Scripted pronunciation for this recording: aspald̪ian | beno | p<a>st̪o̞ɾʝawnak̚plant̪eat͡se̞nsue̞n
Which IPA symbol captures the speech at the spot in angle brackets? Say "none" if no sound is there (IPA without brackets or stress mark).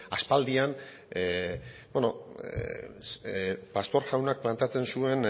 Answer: a